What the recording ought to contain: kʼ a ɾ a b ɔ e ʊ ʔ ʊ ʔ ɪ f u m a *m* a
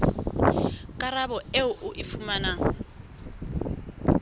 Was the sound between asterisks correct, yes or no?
no